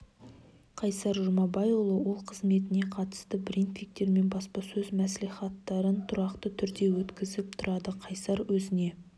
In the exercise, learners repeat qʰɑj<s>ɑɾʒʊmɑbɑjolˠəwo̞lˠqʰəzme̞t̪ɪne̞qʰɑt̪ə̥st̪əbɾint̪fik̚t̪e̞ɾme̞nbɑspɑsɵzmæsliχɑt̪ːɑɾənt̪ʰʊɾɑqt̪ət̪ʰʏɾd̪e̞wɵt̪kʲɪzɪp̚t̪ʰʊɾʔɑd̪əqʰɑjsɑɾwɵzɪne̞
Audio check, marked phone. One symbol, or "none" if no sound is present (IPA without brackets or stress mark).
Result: s